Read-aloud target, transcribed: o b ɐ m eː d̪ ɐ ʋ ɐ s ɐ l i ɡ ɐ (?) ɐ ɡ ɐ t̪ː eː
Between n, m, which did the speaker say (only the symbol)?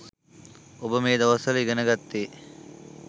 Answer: n